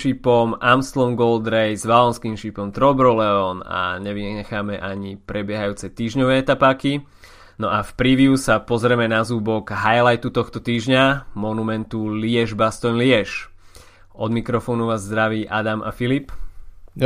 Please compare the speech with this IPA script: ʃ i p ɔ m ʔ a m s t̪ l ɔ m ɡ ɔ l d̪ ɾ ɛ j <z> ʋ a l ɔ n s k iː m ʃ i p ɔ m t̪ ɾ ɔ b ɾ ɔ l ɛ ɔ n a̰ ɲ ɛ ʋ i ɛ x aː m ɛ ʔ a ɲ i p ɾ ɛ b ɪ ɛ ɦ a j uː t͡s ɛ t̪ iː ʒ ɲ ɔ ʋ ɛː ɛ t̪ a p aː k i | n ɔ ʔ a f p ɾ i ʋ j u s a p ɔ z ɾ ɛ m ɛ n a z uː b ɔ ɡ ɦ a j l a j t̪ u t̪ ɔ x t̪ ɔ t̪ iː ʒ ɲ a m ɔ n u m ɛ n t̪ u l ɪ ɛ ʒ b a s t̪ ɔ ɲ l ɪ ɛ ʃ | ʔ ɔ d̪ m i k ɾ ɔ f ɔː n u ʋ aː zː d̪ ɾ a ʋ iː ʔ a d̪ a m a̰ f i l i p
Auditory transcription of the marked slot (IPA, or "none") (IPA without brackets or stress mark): z